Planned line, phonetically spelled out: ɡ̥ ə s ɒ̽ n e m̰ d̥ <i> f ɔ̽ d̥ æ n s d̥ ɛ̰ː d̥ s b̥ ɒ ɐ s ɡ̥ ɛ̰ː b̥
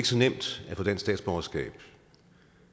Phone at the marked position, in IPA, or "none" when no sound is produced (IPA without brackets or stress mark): æ